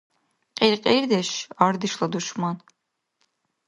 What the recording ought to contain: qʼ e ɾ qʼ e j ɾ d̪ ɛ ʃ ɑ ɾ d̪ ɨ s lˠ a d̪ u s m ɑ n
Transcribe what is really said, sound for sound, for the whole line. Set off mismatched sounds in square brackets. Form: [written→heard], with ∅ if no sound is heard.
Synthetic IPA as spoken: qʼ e ɾ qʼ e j ɾ d̪ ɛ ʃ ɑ ɾ d̪ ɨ [s→ʃ] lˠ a d̪ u [s→ʃ] m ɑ n